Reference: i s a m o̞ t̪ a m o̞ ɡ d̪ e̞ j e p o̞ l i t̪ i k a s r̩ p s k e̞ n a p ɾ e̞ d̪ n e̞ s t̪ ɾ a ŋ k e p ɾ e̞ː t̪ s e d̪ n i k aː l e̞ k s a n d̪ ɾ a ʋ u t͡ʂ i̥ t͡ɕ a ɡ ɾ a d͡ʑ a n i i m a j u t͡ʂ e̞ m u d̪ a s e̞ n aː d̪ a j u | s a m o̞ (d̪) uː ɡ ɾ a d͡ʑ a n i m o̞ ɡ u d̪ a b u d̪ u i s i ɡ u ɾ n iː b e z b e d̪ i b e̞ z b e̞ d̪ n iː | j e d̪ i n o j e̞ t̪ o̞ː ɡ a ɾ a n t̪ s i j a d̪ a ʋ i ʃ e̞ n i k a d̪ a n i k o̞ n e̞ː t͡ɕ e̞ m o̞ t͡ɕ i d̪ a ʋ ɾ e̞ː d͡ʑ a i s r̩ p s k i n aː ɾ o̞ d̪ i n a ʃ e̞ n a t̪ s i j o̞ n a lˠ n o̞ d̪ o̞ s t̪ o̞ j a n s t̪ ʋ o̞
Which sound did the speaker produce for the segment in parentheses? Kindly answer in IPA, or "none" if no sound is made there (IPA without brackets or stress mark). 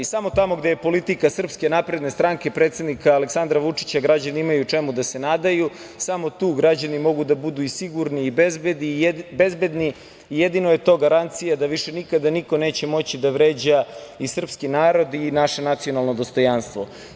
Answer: t̪